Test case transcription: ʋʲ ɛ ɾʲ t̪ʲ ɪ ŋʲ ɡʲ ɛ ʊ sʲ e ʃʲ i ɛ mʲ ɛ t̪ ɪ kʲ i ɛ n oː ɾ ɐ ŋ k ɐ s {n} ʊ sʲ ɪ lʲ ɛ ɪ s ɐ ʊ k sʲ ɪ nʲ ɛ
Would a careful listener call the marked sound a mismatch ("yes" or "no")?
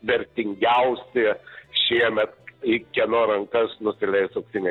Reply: no